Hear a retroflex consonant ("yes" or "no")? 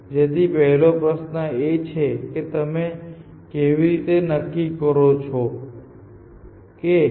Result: no